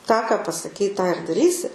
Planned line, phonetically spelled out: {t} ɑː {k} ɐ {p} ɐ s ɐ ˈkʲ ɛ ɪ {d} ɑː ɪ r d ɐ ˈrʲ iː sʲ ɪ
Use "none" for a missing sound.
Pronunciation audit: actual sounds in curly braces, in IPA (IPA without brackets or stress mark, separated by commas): t, k, p, t